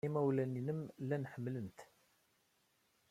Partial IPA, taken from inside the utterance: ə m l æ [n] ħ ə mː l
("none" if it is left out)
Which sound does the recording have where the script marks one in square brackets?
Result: n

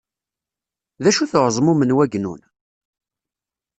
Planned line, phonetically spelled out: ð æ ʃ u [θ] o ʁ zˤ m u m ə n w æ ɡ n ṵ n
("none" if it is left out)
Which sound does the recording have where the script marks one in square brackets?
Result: θ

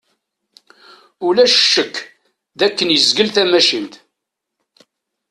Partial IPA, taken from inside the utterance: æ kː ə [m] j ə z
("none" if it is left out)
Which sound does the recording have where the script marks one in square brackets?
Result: n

